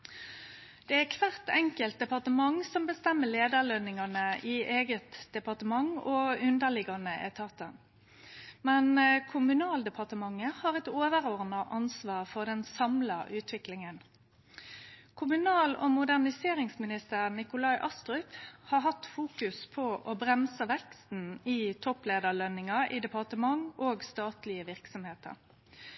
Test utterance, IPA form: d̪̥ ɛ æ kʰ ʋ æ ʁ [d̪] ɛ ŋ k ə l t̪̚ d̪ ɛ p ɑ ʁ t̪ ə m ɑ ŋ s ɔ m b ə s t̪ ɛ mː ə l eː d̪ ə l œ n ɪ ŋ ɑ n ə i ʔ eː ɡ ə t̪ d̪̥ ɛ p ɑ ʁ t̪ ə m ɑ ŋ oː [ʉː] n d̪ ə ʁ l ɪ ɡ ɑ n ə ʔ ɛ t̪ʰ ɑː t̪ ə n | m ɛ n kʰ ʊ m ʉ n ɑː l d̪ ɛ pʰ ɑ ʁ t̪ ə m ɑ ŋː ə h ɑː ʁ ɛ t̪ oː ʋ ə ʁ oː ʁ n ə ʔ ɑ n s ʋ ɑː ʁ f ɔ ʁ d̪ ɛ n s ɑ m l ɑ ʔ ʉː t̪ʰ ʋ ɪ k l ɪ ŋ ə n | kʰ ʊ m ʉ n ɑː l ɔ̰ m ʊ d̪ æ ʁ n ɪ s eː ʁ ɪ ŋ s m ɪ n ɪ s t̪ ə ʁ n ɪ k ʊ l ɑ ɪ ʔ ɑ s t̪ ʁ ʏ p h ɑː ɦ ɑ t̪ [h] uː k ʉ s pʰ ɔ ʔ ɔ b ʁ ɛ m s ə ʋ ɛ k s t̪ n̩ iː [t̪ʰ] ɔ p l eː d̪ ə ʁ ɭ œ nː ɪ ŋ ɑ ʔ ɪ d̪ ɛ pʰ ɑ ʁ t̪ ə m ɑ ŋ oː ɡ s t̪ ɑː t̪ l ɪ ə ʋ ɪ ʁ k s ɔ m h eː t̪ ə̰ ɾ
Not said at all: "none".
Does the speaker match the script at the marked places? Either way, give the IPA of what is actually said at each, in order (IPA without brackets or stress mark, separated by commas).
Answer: t̪, ʉ, f, t̪ʰ